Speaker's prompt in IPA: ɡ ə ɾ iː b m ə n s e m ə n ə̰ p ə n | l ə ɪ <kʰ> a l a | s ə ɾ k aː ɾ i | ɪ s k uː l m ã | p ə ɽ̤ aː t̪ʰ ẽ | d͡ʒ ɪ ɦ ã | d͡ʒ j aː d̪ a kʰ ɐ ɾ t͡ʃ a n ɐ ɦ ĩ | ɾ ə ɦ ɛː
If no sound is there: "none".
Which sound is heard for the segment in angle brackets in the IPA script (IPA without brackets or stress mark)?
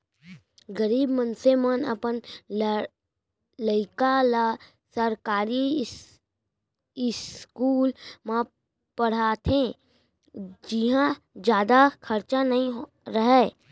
k